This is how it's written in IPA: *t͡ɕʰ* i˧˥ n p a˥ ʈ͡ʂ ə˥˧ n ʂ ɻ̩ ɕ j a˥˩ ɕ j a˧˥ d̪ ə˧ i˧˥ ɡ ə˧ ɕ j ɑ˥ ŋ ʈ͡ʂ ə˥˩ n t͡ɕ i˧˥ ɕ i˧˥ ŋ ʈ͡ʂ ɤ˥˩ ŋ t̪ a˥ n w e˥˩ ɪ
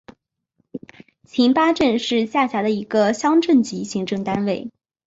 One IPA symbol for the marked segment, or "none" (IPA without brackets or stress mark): t͡ɕʰ